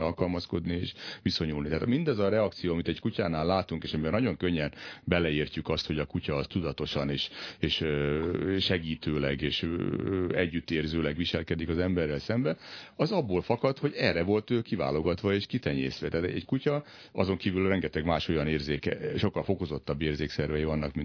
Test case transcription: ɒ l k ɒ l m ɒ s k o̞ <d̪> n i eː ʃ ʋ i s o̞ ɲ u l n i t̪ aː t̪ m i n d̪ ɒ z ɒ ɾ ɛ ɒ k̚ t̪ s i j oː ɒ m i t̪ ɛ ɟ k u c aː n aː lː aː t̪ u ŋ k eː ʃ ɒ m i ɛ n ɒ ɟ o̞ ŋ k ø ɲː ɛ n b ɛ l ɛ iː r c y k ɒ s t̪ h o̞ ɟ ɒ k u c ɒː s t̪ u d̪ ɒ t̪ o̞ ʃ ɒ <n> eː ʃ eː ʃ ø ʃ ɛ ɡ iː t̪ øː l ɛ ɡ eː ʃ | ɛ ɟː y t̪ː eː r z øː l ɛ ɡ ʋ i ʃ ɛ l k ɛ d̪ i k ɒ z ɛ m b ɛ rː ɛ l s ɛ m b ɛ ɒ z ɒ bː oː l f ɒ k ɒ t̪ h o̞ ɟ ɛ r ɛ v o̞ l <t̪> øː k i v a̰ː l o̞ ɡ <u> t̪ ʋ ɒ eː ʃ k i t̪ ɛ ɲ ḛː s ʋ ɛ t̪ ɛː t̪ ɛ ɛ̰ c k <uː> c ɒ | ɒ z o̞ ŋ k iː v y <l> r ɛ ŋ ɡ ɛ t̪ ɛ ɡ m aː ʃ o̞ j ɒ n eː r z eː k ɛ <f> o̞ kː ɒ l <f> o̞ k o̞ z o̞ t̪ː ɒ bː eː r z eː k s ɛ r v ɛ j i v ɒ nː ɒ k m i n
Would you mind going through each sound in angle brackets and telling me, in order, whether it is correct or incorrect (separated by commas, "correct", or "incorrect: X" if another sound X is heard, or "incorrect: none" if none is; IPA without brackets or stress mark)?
correct, correct, correct, incorrect: ɒ, incorrect: u, correct, incorrect: ʃ, correct